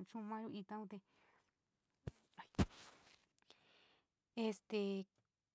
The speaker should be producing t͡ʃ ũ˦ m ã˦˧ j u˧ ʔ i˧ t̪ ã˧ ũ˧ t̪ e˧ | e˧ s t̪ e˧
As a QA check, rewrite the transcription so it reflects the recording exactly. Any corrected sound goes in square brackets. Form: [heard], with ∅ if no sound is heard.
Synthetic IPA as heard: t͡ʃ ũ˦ m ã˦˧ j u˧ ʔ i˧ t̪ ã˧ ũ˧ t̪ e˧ | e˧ s t̪ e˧